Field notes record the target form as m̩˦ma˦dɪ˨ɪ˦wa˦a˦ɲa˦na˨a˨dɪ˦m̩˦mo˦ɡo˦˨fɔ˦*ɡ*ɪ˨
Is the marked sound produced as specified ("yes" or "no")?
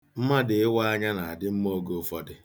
no